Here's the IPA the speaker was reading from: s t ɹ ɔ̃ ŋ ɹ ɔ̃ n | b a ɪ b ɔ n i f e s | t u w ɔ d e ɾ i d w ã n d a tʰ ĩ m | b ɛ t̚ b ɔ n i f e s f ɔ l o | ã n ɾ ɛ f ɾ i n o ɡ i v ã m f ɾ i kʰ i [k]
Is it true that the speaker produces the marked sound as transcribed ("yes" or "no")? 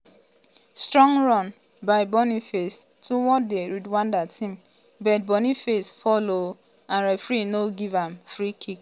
yes